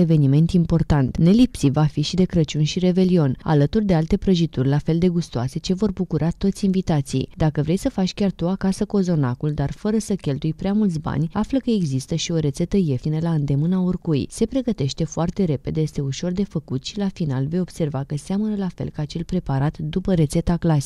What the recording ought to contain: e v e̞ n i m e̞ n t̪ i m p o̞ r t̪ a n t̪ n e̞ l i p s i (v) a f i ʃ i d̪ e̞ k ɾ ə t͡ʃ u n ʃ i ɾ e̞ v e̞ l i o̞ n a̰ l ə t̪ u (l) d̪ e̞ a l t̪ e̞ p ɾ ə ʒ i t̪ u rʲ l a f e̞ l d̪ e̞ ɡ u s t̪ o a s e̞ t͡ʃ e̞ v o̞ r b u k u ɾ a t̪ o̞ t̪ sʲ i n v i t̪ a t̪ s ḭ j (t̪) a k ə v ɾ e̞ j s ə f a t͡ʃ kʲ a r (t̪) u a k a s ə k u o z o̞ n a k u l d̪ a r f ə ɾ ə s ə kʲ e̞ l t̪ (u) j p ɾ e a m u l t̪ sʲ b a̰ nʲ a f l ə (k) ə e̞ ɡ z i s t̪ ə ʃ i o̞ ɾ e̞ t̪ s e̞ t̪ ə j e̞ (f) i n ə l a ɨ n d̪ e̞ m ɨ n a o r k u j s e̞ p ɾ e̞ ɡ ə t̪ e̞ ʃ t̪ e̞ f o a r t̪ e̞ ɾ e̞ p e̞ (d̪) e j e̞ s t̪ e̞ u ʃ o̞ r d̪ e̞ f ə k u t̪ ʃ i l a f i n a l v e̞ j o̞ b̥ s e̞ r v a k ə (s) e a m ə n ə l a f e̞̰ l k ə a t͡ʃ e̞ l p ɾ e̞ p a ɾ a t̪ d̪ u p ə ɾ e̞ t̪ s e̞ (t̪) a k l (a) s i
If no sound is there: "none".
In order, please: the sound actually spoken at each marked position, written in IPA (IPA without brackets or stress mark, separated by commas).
v, r, d̪, t̪, u, k, f, d̪, s, t̪, a